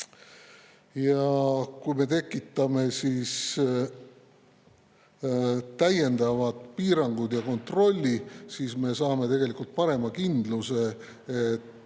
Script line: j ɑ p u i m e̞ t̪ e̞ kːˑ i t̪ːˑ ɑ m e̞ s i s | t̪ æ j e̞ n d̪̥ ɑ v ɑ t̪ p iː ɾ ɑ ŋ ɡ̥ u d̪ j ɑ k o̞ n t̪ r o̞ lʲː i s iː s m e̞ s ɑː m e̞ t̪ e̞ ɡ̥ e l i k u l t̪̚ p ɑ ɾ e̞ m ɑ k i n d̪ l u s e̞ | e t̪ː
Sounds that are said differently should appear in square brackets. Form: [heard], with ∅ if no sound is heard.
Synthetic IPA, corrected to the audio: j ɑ [k] u [j] m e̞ t̪ e̞ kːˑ i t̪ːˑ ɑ m e̞ s i s | t̪ æ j e̞ n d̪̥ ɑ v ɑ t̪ p iː ɾ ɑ ŋ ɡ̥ u d̪ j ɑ k o̞ n t̪ r o̞ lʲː i s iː s m e̞ s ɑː m e̞ t̪ e̞ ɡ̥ e l i k u l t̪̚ p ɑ ɾ e̞ m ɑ k i n d̪ l u s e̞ | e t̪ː